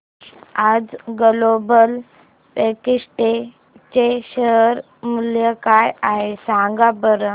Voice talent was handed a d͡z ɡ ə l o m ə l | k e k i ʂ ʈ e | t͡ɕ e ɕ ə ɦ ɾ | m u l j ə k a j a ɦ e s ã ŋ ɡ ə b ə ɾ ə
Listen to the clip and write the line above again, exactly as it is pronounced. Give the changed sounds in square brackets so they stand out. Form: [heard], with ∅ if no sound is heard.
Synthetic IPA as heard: a d͡z ɡ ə l o [b] ə l | [p] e k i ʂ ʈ e | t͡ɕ e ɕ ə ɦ ɾ | m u l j ə k a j a ɦ e s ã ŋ ɡ [a] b ə ɾ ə

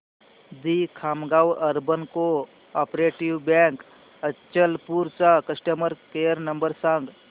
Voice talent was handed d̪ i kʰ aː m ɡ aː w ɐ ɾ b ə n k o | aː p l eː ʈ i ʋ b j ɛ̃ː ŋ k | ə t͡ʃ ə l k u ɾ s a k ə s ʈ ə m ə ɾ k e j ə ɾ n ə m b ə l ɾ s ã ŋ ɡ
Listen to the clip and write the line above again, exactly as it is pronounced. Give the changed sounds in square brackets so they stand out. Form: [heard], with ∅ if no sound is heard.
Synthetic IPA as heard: d̪ i kʰ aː m ɡ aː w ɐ ɾ b ə n k o | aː p [ɾ] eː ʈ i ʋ b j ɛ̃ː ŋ k | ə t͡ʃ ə l [p] u ɾ s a k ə s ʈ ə m ə ɾ k e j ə ɾ n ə m b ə [∅] ɾ s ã ŋ ɡ

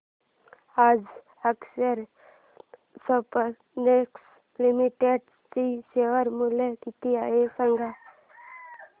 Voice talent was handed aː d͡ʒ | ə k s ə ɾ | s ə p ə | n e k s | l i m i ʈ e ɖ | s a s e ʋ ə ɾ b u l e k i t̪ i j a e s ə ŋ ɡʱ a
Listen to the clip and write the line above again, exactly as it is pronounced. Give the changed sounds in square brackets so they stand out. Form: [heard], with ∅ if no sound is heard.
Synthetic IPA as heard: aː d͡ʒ | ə k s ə ɾ | s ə p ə | n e k s | l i m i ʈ e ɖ | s [i] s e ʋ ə ɾ [m] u l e k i t̪ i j a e s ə ŋ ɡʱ a

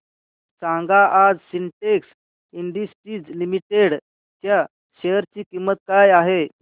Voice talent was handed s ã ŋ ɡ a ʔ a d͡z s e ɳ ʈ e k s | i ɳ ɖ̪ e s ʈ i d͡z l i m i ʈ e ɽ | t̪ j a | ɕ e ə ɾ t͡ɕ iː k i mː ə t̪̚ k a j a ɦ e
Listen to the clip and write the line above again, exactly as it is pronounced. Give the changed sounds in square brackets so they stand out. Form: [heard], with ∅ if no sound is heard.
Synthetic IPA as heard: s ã ŋ ɡ a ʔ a d͡z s [i] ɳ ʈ e k s | i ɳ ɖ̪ [i] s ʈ i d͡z l i m i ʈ e ɽ | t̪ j a | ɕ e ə ɾ t͡ɕ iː k i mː ə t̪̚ k a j a ɦ e

